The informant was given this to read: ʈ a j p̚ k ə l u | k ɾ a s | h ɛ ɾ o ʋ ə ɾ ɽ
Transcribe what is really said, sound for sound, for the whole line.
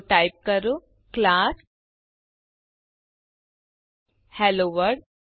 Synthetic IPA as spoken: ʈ a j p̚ k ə ɾ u | k l a s | h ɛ l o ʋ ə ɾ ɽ